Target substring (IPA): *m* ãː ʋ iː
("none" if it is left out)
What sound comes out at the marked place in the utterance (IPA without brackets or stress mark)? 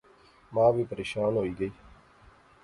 m